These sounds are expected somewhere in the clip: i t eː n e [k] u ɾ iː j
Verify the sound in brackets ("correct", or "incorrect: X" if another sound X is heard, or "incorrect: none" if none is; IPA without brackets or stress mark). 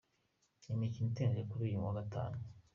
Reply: correct